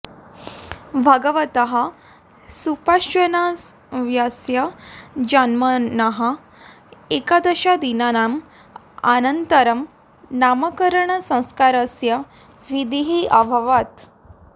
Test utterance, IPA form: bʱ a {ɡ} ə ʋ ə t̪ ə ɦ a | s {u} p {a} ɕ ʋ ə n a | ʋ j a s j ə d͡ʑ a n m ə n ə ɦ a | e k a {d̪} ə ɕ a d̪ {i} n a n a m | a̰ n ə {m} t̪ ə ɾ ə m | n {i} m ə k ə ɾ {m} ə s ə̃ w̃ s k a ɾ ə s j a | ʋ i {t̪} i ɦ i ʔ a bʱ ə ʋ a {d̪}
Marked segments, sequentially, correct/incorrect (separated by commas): correct, correct, correct, correct, correct, incorrect, incorrect, incorrect, incorrect, incorrect